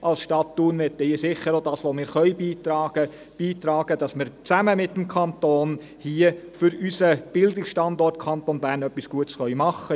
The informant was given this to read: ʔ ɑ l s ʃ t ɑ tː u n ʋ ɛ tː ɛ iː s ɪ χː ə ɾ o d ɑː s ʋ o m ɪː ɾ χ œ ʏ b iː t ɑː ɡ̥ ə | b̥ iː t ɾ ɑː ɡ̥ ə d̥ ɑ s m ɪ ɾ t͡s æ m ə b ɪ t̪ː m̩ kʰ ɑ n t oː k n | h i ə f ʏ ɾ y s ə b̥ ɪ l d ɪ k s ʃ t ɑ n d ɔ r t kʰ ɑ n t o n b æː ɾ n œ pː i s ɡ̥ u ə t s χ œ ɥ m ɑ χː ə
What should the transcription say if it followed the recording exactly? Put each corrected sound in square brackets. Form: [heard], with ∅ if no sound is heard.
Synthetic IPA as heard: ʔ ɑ l s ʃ t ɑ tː u n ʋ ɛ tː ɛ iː s ɪ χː ə ɾ o d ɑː s ʋ o m ɪː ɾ χ œ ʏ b iː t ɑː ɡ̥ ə | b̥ iː t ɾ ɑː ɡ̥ ə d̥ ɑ s m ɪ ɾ t͡s æ m ə [m] ɪ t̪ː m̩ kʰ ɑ n t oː [∅] n | h i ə f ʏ ɾ y s ə b̥ ɪ l d ɪ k s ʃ t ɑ n d ɔ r t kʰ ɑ n t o n b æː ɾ n œ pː i s ɡ̥ u ə t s χ œ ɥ m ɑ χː ə